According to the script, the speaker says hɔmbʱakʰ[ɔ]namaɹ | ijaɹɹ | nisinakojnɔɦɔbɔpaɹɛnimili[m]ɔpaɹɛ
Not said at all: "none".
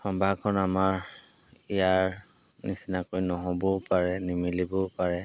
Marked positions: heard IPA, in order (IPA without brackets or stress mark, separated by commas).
ɔ, b